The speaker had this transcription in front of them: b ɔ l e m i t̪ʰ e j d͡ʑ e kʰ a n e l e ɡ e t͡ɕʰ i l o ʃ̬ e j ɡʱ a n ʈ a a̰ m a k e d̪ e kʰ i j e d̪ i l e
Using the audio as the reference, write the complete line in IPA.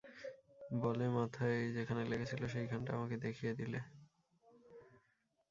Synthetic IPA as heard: b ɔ l e m a t̪ʰ a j d͡ʑ e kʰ a n e l e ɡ e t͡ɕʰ i l o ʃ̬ e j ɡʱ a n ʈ a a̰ m a k e d̪ e kʰ i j e d̪ i l e